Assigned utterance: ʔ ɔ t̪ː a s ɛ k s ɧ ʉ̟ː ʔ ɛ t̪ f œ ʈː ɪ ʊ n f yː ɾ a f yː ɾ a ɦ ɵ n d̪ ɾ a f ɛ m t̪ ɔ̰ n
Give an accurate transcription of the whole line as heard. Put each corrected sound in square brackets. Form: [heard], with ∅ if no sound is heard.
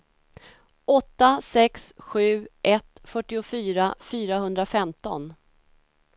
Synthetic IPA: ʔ ɔ t̪ː a s ɛ k s ɧ ʉ̟ː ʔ ɛ t̪ f œ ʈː ɪ ʊ [∅] f yː ɾ a f yː ɾ a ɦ ɵ n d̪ ɾ a f ɛ m t̪ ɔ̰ n